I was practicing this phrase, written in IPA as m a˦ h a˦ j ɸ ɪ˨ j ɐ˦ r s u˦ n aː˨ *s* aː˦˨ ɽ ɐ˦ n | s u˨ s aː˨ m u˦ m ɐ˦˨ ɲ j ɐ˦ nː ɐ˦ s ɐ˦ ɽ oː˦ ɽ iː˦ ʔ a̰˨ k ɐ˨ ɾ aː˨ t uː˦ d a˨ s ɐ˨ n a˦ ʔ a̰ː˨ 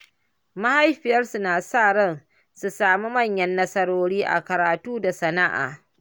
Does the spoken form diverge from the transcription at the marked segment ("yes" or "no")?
no